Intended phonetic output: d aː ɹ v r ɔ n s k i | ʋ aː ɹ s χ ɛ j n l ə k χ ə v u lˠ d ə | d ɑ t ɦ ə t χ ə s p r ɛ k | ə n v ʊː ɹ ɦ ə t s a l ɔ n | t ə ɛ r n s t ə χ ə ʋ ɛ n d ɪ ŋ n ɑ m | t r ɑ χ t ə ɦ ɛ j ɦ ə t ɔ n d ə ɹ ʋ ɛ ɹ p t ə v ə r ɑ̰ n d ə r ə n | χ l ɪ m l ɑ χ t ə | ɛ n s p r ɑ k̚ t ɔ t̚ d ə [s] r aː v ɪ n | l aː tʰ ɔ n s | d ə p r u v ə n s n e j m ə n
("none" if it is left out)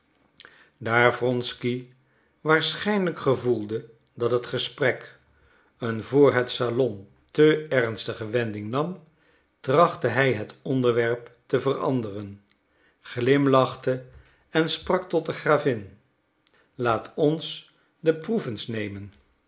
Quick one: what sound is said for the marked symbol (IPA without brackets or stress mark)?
χ